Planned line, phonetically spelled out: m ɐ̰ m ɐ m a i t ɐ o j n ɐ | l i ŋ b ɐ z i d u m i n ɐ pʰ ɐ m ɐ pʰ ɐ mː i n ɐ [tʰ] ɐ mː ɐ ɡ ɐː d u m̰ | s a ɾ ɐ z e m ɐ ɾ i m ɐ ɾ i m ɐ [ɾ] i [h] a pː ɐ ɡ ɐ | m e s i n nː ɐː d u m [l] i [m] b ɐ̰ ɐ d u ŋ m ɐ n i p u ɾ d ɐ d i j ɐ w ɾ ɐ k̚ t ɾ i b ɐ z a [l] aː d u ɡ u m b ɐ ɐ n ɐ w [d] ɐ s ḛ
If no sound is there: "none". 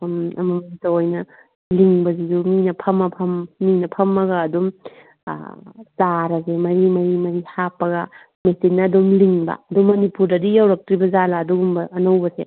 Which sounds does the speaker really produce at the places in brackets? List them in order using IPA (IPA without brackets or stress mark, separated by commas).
pʰ, ɾ, h, l, ŋ, l, b